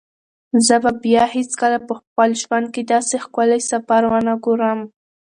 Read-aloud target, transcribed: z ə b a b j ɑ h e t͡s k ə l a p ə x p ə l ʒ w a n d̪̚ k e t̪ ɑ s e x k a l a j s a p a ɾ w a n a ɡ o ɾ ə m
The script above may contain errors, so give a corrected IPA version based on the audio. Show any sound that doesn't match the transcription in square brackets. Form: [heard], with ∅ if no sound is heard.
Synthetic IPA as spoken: z ə b a b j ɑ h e t͡s k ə l a p ə x p ə l ʒ w a n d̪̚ k e [d̪] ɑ s e x k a l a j s a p a ɾ w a n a ɡ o ɾ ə m